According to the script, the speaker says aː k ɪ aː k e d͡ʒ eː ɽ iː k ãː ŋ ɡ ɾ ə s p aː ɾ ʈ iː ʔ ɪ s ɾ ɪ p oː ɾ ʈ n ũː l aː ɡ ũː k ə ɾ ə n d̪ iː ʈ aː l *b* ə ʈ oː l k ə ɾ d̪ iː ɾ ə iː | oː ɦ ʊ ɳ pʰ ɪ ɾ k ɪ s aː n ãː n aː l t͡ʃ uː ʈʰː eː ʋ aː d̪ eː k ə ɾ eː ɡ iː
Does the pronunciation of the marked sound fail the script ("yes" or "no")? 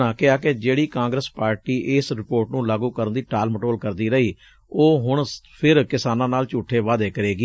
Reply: yes